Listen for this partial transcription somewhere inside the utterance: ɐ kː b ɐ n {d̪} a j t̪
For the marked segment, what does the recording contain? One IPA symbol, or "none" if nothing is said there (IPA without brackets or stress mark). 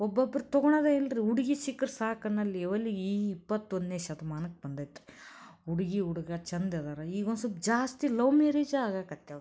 d̪